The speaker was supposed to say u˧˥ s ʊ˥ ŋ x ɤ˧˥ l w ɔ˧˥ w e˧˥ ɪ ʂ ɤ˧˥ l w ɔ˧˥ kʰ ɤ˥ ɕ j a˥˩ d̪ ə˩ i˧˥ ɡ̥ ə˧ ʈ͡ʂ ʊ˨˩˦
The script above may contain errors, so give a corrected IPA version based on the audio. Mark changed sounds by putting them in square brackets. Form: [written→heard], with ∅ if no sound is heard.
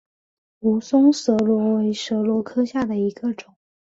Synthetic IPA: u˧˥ s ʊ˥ ŋ [x→s] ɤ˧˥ l w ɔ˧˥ w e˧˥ ɪ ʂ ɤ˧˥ l w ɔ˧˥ kʰ ɤ˥ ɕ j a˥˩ d̪ ə˩ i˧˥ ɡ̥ ə˧ ʈ͡ʂ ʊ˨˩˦